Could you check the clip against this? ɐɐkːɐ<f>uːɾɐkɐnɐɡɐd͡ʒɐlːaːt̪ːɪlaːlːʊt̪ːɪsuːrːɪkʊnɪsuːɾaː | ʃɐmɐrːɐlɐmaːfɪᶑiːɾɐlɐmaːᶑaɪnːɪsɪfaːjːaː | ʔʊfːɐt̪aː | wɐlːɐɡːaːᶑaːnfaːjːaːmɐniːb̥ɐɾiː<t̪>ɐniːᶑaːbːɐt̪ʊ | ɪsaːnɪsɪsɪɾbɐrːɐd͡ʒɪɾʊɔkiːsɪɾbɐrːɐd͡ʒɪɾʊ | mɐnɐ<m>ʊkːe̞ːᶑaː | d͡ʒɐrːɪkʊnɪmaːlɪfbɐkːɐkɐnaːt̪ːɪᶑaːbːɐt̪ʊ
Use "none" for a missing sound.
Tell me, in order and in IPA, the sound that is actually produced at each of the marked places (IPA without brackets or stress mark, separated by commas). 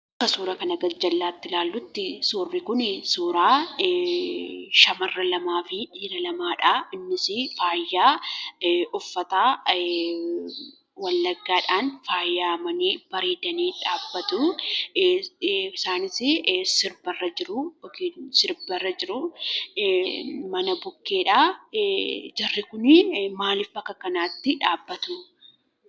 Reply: s, d̪, b